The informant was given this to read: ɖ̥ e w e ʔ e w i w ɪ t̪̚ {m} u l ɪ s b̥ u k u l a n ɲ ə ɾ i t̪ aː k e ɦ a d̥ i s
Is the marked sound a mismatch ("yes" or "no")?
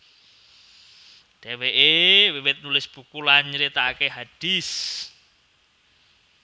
yes